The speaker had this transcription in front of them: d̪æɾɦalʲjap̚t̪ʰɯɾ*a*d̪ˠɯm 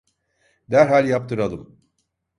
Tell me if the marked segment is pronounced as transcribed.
yes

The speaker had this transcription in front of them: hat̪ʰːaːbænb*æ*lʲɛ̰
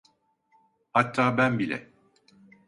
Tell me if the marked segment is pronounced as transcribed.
no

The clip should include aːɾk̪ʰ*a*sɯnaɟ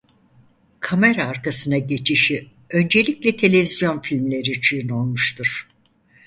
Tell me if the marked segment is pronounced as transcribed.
yes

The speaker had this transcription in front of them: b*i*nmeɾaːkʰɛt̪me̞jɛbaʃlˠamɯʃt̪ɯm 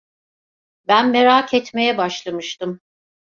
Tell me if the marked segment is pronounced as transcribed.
no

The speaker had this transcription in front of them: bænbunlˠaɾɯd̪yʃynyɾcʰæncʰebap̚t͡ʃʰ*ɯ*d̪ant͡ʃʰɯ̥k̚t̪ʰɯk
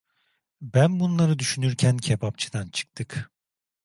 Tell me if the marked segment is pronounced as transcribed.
yes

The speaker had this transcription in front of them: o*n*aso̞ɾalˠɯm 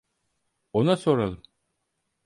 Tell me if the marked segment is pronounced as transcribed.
yes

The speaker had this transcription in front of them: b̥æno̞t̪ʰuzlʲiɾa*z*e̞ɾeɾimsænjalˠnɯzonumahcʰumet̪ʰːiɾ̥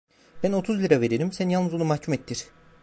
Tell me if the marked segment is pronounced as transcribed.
no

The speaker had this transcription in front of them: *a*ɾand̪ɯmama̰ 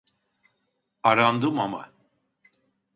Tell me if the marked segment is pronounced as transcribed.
yes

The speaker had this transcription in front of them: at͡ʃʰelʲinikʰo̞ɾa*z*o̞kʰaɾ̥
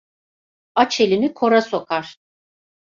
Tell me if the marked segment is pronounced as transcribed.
no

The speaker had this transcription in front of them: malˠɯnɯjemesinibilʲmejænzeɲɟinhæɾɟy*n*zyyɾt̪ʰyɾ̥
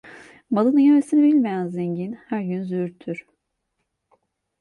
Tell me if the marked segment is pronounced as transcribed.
yes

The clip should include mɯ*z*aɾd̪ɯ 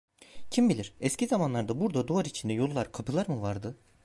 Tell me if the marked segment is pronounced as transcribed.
no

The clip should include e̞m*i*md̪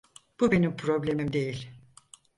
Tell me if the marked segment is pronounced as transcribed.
yes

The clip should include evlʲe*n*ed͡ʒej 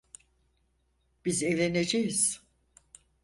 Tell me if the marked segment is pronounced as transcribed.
yes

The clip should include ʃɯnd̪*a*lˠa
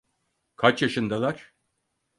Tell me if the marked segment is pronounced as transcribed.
yes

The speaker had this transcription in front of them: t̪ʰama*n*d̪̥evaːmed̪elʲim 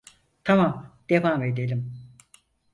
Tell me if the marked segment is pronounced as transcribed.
no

